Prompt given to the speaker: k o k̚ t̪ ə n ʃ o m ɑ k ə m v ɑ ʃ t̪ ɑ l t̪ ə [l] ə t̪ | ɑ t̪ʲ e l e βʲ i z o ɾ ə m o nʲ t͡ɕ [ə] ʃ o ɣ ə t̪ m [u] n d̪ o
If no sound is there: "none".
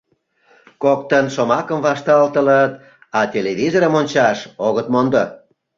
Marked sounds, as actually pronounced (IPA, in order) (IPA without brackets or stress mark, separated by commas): l, ɑ, o